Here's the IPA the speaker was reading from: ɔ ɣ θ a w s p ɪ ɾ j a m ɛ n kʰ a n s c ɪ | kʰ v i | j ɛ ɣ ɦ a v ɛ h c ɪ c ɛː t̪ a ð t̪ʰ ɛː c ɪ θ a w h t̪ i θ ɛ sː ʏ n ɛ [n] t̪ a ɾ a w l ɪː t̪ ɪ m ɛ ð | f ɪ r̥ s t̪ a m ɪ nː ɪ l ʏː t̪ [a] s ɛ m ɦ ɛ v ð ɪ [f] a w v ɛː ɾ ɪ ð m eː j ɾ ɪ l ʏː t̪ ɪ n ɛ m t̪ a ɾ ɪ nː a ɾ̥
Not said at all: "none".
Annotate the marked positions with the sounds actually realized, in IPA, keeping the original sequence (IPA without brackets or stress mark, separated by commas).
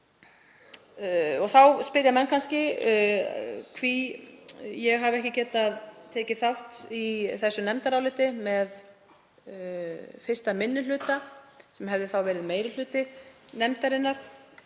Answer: m, a, θ